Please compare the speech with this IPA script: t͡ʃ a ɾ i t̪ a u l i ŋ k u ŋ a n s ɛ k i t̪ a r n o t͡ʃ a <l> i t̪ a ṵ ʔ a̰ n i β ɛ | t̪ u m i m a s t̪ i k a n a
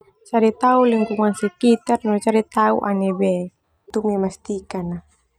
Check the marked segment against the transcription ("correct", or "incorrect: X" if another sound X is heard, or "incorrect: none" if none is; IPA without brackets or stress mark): incorrect: ɾ